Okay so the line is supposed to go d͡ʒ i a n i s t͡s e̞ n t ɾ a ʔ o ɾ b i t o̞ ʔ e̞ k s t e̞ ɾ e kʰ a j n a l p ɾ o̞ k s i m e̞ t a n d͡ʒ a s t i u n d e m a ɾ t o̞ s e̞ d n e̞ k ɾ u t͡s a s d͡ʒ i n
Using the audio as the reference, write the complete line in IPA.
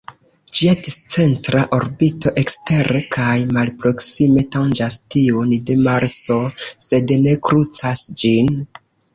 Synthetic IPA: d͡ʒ i a d i s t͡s e̞ n t ɾ a ʔ o ɾ b i t o̞ ʔ e̞ k s t e̞ ɾ e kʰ a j m a l p ɾ o̞ k s i m e̞ t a n d͡ʒ a s t i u n d e m a ɾ s o̞ s e̞ d n e̞ k ɾ u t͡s a s d͡ʒ i n